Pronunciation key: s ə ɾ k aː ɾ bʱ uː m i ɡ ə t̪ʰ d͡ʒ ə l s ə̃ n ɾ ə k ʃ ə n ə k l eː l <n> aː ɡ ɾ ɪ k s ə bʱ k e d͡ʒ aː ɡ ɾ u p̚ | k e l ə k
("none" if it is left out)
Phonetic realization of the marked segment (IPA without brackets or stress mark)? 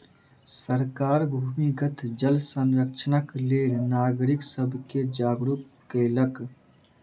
n